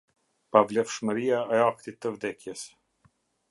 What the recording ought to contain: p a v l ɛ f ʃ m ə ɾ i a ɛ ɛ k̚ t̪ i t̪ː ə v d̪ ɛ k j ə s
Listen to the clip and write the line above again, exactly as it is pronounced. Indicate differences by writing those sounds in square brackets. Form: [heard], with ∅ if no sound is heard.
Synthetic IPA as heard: p a v l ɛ f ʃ m ə ɾ i a ɛ [a] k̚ t̪ i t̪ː ə v d̪ ɛ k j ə s

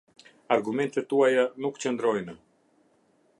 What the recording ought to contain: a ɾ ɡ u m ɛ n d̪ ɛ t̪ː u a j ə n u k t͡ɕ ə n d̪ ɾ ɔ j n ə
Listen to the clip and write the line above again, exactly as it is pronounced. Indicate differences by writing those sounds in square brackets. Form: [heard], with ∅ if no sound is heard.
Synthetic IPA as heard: a ɾ ɡ u m ɛ n [t̪] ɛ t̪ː u a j [a] n u k t͡ɕ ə n d̪ ɾ ɔ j n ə

